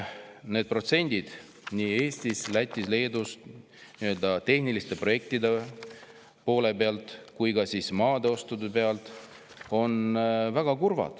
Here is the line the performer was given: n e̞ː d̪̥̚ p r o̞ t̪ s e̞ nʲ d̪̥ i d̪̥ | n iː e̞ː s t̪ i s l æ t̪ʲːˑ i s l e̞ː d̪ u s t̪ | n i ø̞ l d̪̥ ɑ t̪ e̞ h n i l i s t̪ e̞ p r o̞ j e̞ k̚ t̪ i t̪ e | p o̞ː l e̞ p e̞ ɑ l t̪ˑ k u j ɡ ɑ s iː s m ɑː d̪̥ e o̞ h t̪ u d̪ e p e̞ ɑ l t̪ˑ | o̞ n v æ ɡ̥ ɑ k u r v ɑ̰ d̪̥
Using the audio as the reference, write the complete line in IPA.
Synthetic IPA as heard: n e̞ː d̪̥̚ p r o̞ t̪ s e̞ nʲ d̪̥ i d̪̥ | n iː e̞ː s t̪ i s l æ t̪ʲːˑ i s l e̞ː d̪ u s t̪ | n i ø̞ l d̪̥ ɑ t̪ e̞ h n i l i s t̪ e̞ p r o̞ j e̞ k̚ t̪ i d̪ e | p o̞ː l e̞ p e̞ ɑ l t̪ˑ k u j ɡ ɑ s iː s m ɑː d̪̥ e o̞ s t̪ u d̪ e p e̞ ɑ l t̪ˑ | o̞ n v æ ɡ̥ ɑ k u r v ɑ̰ d̪̥

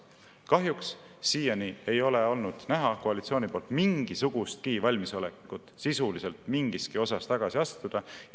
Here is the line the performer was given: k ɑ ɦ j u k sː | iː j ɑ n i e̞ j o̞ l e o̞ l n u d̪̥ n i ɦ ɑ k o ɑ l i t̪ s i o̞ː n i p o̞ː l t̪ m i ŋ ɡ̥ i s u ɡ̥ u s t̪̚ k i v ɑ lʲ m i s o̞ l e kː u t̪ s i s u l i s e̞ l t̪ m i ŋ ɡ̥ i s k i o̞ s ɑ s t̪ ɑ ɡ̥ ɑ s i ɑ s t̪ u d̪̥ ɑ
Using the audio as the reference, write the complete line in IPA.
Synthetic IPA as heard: k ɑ ɦ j u k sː | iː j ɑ n i e̞ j o̞ l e o̞ l n u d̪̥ n æ ɦ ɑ k o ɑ l i t̪ s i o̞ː n i p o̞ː l t̪ m i ŋ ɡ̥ i s u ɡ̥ u s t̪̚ k i v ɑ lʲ m i s o̞ l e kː u t̪ s i s u l i s e̞ l t̪ m i ŋ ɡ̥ i s k i o̞ s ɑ s t̪ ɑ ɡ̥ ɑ s i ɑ s t̪ u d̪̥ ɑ

